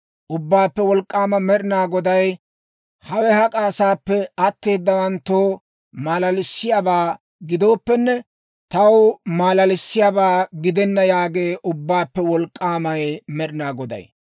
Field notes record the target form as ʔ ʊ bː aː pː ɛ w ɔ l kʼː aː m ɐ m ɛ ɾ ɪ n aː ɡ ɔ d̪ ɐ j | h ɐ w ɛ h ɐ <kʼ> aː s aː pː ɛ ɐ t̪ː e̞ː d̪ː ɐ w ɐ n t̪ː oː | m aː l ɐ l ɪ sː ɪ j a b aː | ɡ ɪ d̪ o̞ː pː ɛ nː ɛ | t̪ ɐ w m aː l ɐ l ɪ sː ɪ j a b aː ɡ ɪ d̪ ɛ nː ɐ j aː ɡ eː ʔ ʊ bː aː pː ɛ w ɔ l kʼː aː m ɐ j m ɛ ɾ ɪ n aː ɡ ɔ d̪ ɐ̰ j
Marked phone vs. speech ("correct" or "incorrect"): correct